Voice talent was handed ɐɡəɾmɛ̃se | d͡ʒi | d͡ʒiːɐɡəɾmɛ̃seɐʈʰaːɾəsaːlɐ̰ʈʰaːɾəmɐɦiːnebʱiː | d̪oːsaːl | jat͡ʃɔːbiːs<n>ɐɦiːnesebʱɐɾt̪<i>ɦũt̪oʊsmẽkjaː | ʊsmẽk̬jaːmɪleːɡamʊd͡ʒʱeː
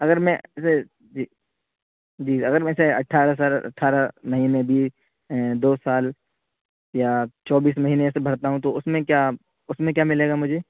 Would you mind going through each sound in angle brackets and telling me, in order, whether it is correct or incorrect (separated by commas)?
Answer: incorrect, incorrect